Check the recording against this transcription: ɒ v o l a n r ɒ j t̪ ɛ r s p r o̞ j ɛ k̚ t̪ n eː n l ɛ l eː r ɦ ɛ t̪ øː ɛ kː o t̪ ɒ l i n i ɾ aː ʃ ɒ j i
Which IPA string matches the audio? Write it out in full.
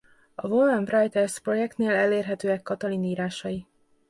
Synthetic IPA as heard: ɒ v o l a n r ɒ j t̪ ɛ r s p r o̞ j ɛ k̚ t̪ n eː l ɛ l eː r ɦ ɛ t̪ øː ɛ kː ɒ t̪ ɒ l i n iː ɾ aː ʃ ɒ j i